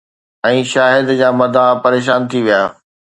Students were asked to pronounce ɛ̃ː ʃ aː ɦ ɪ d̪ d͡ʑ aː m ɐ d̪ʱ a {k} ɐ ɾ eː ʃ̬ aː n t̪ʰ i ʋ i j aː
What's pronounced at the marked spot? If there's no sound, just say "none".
p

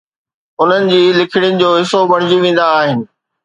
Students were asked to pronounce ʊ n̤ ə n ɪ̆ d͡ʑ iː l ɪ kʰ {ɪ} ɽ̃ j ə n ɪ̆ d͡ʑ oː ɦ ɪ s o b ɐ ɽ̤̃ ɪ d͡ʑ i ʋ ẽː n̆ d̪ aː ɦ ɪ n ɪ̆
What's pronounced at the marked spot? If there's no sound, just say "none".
ɪ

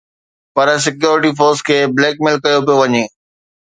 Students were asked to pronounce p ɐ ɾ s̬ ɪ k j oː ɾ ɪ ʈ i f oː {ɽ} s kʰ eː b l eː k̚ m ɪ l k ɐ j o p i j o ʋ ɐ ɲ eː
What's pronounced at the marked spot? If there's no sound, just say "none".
ɾ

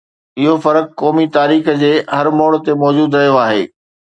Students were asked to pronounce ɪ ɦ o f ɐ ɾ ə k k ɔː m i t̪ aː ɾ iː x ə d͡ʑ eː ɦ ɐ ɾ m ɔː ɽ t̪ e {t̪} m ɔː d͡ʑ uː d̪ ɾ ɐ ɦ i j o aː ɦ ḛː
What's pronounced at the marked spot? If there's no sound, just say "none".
none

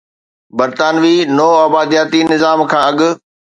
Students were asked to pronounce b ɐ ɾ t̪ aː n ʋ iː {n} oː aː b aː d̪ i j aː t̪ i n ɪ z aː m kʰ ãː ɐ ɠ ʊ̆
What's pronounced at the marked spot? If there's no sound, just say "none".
n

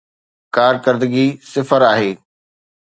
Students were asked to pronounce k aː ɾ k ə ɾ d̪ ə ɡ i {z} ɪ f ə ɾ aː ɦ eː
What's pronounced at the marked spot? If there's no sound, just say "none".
s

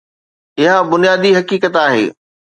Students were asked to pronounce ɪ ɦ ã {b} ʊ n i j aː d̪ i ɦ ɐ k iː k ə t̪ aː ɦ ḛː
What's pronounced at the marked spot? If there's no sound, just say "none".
b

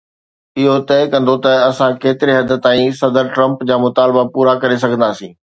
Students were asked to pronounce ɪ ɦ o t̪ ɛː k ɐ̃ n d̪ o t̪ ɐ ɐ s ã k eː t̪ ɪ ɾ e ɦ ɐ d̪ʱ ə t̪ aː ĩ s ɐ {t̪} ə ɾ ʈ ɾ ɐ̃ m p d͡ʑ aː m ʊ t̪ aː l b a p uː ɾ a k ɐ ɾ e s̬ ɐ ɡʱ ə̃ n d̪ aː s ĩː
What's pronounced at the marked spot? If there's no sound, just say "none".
d̪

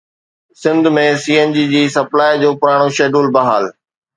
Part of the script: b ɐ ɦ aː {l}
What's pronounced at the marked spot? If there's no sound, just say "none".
l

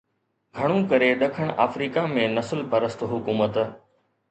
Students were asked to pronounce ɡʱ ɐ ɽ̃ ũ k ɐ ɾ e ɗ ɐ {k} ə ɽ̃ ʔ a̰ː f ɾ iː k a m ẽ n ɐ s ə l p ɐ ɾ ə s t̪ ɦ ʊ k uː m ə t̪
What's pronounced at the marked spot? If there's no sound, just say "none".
kʰ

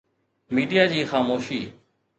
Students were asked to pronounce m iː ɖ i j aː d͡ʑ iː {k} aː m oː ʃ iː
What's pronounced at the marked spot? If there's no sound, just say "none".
x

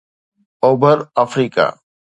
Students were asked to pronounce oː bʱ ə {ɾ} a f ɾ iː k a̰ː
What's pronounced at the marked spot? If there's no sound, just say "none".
ɾ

